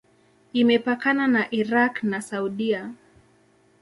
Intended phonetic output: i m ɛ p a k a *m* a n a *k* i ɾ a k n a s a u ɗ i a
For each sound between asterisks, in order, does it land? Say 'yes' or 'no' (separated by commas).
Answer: no, no